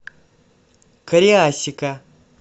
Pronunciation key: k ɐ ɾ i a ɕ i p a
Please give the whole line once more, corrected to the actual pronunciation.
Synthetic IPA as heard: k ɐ ɾ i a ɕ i k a